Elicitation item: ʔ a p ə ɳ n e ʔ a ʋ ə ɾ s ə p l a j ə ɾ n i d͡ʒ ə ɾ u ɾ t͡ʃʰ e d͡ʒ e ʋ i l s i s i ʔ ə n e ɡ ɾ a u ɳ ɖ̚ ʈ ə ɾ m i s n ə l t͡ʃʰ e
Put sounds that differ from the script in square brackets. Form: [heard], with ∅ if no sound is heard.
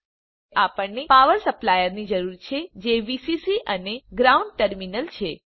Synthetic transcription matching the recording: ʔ a p ə ɳ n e [p] a ʋ ə ɾ s ə p l a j ə ɾ n i d͡ʒ ə ɾ u ɾ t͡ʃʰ e d͡ʒ e ʋ i [∅] s i s i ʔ ə n e ɡ ɾ a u ɳ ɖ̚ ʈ ə ɾ m i [∅] n ə l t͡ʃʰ e